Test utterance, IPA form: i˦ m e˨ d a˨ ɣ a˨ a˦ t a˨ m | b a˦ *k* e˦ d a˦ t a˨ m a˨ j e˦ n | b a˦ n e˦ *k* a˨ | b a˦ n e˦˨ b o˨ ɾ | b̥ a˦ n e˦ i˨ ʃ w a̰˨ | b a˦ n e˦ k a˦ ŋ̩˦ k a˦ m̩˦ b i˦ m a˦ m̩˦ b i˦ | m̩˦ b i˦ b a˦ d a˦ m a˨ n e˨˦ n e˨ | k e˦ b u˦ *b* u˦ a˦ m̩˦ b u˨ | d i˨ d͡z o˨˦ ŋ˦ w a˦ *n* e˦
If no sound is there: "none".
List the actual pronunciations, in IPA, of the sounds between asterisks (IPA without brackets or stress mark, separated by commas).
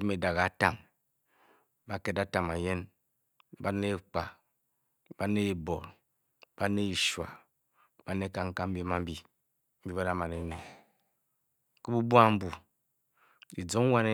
k, k͡p, b, n